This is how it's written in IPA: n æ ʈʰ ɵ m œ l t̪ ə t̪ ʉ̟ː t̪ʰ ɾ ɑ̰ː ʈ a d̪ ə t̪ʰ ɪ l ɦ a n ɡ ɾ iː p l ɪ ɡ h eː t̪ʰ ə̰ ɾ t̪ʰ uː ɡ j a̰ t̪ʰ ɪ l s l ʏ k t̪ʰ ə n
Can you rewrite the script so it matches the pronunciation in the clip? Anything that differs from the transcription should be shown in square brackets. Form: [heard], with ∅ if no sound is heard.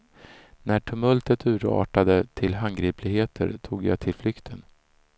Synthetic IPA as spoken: n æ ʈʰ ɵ m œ l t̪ ə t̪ ʉ̟ː [∅] ɾ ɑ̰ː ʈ a d̪ ə t̪ʰ ɪ l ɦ a n ɡ ɾ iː p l ɪ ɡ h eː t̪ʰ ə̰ ɾ t̪ʰ uː ɡ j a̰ t̪ʰ ɪ l [f] l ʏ k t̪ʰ ə n

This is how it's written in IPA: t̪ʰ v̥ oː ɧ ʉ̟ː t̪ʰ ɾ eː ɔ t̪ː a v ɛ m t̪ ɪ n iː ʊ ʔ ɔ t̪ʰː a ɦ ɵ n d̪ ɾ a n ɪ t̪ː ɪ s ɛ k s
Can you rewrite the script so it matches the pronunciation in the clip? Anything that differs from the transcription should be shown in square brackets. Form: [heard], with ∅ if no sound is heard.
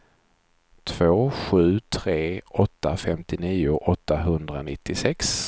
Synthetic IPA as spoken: t̪ʰ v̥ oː ɧ ʉ̟ː t̪ʰ ɾ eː ɔ t̪ː a [f] ɛ m t̪ ɪ n iː ʊ ʔ ɔ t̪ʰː a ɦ ɵ n d̪ ɾ a n ɪ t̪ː ɪ s ɛ k s

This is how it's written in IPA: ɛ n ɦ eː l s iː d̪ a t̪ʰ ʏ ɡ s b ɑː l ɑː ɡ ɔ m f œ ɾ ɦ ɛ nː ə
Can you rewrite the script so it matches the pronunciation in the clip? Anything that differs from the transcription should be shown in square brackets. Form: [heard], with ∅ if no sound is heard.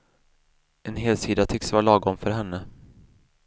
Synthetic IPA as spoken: ɛ n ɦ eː l s iː d̪ a t̪ʰ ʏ [k] s [v] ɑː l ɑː ɡ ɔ m f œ ɾ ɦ ɛ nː ə

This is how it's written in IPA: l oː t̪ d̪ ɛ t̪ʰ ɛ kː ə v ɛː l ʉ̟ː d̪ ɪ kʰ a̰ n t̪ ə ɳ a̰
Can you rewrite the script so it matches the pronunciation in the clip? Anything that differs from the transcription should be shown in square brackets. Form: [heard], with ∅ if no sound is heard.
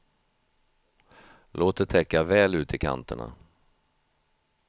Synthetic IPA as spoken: l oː t̪ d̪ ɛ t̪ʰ ɛ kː [a] v ɛː l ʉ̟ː [t̪] ɪ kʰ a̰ n t̪ ə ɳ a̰

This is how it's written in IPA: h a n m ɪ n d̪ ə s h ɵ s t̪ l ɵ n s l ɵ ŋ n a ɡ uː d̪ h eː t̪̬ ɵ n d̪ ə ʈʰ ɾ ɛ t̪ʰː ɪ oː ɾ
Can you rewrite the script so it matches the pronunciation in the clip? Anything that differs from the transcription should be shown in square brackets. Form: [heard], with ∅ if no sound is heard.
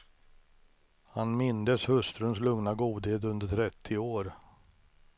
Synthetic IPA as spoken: h a n m ɪ n d̪ ə s h ɵ s t̪ [ɾ] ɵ n s l ɵ ŋ n a ɡ uː d̪ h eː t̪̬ ɵ n d̪ ə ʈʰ ɾ ɛ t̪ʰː ɪ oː ɾ

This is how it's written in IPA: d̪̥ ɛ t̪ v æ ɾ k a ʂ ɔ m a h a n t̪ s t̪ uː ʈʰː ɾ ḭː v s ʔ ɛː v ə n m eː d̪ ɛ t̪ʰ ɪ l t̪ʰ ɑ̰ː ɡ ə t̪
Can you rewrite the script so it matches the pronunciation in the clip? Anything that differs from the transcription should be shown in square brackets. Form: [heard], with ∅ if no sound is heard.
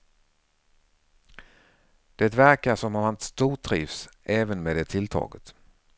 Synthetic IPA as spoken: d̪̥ ɛ t̪ v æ ɾ k a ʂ ɔ m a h a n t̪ s t̪ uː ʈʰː ɾ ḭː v s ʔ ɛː v ə n m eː d̪ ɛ t̪ʰ ɪ l t̪ʰ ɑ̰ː ɡ ə t̪

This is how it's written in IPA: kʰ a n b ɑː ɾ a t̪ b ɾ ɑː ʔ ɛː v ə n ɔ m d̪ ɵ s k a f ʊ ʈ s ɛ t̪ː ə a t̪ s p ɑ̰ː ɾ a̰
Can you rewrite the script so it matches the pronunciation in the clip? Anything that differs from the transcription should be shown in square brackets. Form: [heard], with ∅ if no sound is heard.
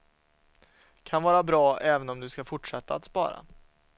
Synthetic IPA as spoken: kʰ a n [v] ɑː ɾ a [∅] b ɾ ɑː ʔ ɛː v ə n ɔ m d̪ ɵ s k a f ʊ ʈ [ʂ] ɛ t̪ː [a] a t̪ s p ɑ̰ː ɾ a̰

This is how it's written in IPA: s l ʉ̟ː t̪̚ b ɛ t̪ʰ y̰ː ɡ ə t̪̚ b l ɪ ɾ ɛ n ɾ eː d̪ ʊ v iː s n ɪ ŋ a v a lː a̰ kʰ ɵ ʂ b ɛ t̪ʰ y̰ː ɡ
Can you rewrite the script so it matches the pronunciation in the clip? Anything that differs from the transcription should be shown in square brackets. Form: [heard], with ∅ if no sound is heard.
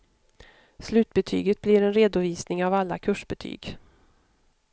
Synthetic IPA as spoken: s l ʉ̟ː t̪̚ b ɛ t̪ʰ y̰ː ɡ ə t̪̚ b l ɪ ɾ ɛ n ɾ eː d̪ ʊ v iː s n ɪ ŋ a v a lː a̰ kʰ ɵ ʂ b ɛ t̪ʰ y̰ː ɡ

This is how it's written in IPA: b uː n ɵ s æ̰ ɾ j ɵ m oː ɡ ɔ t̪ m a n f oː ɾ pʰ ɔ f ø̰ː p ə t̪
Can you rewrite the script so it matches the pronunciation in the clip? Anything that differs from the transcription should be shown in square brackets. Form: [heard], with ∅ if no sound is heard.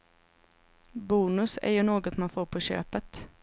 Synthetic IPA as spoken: b uː n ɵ s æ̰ ɾ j ɵ [n] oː ɡ ɔ t̪ m a n f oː ɾ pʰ ɔ [ɕ] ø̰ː p ə t̪

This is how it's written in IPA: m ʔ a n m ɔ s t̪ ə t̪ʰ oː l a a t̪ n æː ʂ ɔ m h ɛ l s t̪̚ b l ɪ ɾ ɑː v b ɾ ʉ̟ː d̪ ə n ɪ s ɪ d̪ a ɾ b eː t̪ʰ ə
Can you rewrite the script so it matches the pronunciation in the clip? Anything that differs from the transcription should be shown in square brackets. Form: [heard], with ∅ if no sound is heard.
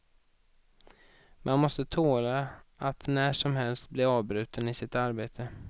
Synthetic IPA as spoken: m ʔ a n m ɔ s t̪ ə t̪ʰ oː l a a t̪ n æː ʂ ɔ m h ɛ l s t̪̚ b l ɪ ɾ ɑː v b ɾ ʉ̟ː [t̪] ə n ɪ s ɪ [t̪] a ɾ b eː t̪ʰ ə

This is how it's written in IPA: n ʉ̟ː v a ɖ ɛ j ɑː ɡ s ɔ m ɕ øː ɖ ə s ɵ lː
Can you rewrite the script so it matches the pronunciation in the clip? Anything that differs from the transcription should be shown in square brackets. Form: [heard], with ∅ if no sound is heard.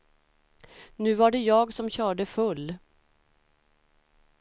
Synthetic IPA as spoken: n ʉ̟ː v a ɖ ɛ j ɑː ɡ s ɔ m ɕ [œː] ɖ ə [f] ɵ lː

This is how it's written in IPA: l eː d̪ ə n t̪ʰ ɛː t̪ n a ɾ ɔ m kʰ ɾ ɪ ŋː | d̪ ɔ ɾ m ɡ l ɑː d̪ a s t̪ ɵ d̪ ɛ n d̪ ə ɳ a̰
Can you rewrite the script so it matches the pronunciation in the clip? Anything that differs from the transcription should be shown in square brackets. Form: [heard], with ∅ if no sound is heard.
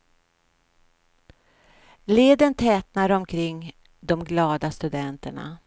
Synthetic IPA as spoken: l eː d̪ ə n t̪ʰ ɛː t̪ n a ɾ ɔ m kʰ ɾ ɪ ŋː | d̪ ɔ [∅] m ɡ l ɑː d̪ a s t̪ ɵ d̪ ɛ n [t̪] ə ɳ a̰

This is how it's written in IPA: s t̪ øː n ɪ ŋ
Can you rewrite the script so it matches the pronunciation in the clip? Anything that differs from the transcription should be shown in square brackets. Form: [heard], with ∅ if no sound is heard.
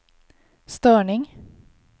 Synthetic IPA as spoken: s t̪ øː [ɳ] ɪ ŋ

